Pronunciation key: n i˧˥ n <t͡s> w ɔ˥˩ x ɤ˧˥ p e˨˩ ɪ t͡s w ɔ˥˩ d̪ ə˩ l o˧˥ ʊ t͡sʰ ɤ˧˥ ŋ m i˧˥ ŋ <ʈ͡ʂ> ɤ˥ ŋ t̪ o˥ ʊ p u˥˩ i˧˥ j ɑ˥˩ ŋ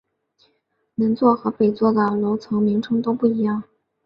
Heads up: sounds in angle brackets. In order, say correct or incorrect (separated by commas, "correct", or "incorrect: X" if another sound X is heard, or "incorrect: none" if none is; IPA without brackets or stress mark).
correct, incorrect: ʈ͡ʂʰ